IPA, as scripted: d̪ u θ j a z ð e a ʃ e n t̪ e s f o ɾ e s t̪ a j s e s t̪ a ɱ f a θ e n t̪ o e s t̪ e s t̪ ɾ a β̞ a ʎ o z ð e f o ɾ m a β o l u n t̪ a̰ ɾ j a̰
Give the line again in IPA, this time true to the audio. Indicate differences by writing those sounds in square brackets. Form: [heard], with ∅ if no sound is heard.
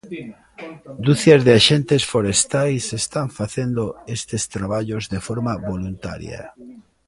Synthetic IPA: d̪ u θ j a z ð e a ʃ e n t̪ e s f o ɾ e s t̪ a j s e s t̪ a ɱ f a θ e n [d̪] o e s t̪ e s t̪ ɾ a β̞ a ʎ o z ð e f o ɾ m a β o l u n t̪ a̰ ɾ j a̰